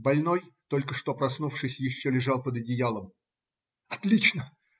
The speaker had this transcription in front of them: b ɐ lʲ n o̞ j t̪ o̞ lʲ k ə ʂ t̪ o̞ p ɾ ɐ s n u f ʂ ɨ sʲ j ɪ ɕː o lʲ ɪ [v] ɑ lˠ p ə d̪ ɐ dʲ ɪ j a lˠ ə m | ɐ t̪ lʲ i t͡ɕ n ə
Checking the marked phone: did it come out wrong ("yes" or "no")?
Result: yes